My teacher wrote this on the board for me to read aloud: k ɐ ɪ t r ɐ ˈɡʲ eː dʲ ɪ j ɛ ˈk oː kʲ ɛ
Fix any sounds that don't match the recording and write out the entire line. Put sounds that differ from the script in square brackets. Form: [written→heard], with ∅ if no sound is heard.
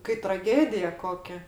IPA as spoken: k ɐ ɪ t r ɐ ˈɡʲ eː dʲ ɪ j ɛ ˈk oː kʲ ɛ